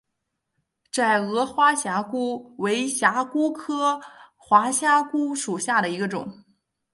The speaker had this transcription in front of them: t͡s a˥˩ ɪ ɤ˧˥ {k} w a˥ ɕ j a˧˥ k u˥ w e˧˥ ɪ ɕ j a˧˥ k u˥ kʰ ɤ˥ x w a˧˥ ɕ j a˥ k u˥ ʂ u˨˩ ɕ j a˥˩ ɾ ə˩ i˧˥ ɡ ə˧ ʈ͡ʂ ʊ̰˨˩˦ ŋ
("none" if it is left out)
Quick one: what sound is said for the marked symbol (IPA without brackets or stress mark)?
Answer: x